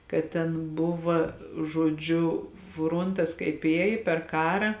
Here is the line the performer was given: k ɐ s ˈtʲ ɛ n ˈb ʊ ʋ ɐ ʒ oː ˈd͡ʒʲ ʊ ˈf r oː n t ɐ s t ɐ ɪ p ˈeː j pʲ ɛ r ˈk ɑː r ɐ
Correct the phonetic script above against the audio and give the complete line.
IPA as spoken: k ɐ t ˈtʲ ɛ n ˈb ʊ ʋ ɐ ʒ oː ˈd͡ʒʲ ʊ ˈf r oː n t ɐ s k ɐ ɪ p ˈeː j pʲ ɛ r ˈk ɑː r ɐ